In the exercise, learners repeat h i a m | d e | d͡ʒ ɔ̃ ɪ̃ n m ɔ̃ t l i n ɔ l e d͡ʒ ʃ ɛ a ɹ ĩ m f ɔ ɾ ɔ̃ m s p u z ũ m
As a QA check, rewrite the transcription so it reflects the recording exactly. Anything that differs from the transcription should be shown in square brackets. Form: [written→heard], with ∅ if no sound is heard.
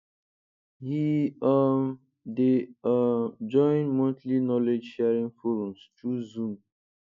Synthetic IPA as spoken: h i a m | d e | d͡ʒ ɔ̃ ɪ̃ n m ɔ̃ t l i n ɔ l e d͡ʒ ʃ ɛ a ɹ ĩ [m→ŋ] f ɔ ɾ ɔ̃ m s [p→t] u z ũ m